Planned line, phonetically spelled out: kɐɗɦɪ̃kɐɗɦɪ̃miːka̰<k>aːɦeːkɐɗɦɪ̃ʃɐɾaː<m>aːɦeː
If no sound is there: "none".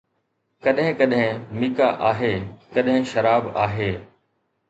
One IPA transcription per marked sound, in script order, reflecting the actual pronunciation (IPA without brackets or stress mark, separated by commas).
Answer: ʔ, b